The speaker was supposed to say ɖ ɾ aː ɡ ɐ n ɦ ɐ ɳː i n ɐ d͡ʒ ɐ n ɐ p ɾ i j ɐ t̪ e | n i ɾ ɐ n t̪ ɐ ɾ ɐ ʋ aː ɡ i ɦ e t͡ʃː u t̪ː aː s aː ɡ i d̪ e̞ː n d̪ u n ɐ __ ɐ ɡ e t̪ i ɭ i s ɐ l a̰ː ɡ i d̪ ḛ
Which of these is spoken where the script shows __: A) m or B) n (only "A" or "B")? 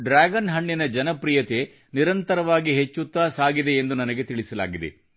B